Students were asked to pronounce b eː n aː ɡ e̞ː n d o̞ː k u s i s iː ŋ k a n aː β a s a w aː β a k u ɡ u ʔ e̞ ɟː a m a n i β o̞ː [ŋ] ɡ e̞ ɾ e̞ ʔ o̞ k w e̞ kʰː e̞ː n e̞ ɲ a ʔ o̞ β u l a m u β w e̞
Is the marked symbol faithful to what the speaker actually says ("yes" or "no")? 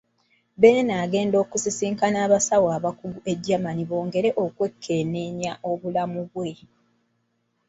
yes